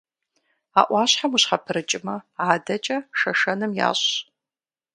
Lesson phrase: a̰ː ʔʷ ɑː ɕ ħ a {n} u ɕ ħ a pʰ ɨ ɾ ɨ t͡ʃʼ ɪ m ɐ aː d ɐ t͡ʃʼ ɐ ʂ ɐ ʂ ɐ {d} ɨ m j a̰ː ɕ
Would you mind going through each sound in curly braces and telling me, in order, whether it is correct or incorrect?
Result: incorrect: m, incorrect: n

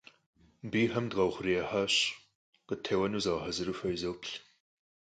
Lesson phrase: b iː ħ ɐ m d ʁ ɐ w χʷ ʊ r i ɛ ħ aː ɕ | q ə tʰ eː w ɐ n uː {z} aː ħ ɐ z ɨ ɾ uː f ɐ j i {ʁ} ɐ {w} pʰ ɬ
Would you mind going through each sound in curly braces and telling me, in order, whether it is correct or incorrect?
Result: correct, incorrect: z, correct

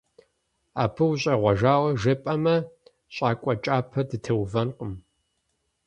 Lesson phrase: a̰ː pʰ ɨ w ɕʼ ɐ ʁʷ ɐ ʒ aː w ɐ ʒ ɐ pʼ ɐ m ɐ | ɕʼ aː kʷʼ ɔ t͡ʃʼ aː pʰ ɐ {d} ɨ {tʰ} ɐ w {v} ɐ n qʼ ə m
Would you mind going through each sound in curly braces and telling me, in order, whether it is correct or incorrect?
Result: correct, correct, correct

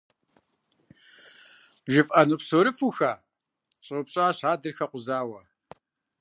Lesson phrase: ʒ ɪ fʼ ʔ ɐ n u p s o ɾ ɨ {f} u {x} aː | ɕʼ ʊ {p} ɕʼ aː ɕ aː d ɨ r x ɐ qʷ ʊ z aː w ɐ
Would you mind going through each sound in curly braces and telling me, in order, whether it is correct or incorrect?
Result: correct, correct, correct

